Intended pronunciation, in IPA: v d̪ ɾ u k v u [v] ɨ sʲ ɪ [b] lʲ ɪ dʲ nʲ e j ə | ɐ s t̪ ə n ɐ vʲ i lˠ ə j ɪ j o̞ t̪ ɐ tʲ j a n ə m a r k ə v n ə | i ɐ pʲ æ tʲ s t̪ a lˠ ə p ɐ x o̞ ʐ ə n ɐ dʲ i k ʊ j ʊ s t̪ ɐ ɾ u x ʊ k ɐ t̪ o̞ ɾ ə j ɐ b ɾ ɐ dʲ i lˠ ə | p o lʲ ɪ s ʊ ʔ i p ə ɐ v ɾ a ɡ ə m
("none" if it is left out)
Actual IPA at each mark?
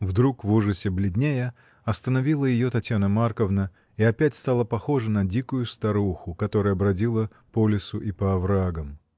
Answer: ʐ, b

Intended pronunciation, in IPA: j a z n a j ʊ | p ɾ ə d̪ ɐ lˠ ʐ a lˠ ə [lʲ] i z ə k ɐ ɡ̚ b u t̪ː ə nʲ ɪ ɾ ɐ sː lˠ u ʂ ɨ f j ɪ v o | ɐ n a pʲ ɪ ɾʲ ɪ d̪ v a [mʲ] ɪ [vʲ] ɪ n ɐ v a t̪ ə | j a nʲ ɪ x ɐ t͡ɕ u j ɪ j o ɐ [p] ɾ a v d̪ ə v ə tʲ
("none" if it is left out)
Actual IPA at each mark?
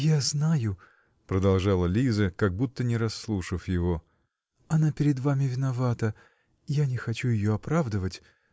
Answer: lʲ, mʲ, vʲ, p

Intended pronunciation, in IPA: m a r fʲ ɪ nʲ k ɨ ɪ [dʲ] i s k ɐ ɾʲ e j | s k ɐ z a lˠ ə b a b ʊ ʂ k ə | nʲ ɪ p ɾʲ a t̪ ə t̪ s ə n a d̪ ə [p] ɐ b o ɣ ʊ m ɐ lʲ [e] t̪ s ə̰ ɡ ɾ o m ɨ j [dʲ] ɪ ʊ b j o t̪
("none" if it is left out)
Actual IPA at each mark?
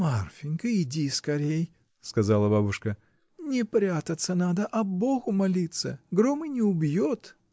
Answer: dʲ, ʔ, i, nʲ

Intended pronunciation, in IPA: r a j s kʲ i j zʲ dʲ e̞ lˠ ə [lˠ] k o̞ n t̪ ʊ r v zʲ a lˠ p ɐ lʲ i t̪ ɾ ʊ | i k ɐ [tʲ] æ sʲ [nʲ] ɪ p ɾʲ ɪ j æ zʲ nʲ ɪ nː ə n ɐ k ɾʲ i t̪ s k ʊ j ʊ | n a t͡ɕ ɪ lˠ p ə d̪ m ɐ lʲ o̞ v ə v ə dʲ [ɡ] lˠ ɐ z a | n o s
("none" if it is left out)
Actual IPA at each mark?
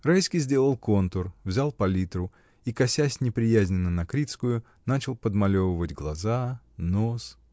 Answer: lˠ, sʲ, nʲ, ɡ

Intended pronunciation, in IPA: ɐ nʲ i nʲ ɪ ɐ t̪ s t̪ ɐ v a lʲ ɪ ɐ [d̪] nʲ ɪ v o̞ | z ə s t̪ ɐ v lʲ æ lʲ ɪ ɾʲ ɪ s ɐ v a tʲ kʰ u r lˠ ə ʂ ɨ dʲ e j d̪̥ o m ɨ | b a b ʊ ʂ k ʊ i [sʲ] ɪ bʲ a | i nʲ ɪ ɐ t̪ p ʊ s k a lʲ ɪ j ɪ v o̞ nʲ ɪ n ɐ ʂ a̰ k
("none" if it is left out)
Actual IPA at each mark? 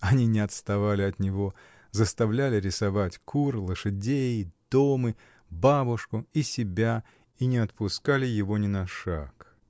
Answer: t̪, sʲ

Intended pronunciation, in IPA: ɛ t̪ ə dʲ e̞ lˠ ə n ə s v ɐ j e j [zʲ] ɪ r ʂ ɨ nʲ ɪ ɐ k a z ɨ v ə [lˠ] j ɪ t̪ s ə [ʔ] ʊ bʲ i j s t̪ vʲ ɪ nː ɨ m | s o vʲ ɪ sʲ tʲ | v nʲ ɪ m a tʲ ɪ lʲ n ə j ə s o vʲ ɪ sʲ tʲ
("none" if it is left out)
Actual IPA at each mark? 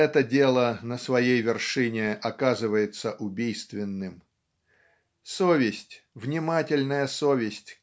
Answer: vʲ, none, ʔ

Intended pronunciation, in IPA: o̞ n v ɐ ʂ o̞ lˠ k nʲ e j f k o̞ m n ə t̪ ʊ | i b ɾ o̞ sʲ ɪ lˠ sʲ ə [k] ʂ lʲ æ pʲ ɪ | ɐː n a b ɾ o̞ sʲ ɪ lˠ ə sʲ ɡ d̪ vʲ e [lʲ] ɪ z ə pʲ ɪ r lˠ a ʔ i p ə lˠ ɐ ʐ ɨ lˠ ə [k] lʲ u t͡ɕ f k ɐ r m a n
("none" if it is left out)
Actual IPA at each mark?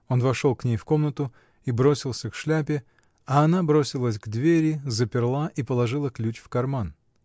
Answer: k, ɾʲ, k

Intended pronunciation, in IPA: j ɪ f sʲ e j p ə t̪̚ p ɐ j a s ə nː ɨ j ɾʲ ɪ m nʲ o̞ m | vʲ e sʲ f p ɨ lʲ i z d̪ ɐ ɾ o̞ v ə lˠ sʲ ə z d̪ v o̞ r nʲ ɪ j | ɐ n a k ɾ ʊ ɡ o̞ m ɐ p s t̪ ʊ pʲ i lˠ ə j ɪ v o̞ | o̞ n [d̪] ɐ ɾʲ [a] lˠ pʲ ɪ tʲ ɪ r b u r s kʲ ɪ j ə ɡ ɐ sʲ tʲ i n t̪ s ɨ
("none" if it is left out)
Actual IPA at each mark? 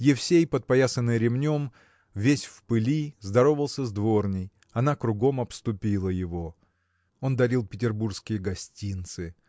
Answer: d̪, i

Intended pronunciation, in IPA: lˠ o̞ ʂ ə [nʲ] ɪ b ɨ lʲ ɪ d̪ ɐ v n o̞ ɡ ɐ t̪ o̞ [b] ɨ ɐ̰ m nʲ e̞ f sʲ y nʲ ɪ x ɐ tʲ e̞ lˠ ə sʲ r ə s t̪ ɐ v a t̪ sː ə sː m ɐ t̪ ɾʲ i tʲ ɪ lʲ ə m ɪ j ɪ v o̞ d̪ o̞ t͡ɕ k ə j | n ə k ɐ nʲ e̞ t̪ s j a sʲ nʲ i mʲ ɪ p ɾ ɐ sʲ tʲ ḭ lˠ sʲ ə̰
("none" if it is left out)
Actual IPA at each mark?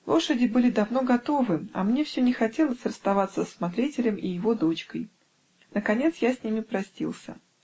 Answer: dʲ, v

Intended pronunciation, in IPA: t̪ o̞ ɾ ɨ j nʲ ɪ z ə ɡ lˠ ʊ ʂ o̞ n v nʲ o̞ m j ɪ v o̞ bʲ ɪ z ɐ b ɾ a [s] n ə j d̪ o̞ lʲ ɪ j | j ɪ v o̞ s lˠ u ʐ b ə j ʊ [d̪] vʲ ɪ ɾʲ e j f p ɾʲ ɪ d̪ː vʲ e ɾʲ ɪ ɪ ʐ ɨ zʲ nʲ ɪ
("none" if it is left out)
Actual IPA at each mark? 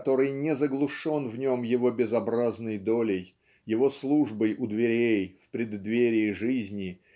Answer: z, d̪

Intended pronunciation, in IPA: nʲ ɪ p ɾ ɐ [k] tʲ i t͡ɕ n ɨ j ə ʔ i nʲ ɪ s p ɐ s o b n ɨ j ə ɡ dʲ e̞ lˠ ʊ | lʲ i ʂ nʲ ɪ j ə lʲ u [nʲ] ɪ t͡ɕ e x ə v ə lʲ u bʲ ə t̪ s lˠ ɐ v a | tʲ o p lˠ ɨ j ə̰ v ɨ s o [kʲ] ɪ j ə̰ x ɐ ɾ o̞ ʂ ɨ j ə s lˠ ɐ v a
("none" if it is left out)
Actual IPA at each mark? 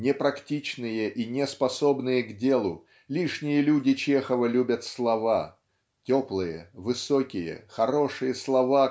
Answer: k, dʲ, kʲ

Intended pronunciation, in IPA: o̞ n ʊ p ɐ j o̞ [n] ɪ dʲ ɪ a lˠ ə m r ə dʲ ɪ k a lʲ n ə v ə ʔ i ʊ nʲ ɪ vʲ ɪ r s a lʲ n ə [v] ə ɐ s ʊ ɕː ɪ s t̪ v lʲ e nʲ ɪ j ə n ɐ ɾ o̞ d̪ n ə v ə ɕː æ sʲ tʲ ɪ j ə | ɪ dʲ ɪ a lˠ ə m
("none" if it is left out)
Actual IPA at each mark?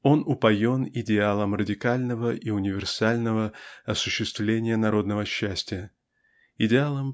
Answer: n, v

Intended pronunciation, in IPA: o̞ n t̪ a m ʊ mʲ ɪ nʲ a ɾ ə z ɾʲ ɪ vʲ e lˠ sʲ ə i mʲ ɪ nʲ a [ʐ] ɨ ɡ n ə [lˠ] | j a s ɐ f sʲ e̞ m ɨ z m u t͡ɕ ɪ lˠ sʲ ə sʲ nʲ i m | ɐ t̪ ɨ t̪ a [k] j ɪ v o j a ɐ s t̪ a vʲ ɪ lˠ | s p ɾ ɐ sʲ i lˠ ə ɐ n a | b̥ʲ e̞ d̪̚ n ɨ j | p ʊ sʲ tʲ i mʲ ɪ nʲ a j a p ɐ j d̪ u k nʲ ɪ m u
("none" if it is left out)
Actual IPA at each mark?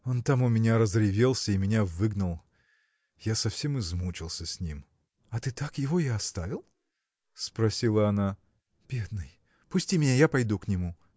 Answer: v, lˠ, k

